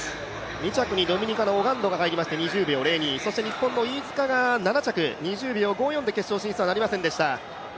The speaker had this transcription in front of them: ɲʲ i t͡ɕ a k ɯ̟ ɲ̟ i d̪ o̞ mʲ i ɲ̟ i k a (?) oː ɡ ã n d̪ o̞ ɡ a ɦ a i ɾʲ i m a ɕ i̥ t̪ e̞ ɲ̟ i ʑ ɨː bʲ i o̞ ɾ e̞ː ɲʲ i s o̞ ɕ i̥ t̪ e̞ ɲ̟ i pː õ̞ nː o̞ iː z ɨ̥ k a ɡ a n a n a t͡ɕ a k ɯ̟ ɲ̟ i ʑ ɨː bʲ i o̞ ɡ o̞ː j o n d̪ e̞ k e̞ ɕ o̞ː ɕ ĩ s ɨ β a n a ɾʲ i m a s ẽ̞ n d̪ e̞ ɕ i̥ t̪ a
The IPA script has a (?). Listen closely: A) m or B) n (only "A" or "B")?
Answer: B